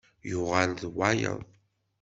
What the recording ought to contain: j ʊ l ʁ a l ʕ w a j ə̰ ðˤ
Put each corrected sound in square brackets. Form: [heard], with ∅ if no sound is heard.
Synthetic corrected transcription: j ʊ [∅] ʁ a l [ð] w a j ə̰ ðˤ